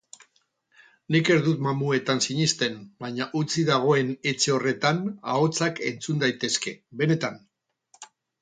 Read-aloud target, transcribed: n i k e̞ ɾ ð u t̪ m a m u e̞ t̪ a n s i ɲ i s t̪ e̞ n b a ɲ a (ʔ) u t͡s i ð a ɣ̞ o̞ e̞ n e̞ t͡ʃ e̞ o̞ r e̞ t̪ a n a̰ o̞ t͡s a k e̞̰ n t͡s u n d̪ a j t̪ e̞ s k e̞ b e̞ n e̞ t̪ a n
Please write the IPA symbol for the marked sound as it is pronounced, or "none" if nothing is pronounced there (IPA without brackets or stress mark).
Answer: ʔ